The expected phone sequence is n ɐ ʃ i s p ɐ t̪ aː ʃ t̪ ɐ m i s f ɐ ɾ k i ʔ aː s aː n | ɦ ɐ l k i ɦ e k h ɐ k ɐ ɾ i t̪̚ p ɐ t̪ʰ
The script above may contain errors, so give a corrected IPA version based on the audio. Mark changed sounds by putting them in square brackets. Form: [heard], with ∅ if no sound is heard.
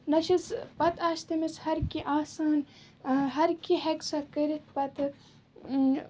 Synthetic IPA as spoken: n ɐ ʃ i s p ɐ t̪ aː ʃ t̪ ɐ m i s [h] ɐ ɾ k i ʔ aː s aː n | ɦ ɐ [ɾ] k i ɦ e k [s] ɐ k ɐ ɾ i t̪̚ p ɐ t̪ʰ